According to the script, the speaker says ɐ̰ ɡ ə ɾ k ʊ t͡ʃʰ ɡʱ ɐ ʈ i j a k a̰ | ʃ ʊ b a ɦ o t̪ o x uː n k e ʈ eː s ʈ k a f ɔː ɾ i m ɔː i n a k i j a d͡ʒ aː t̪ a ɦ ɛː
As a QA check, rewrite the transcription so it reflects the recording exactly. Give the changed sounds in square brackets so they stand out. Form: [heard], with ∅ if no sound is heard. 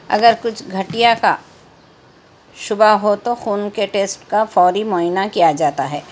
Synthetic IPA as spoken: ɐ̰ ɡ ə ɾ k ʊ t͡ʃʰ ɡʱ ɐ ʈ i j a k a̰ | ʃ ʊ b a ɦ o t̪ o x uː n k e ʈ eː s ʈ k a f ɔː ɾ i m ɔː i n a k i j a d͡ʒ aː t̪ a ɦ ɛː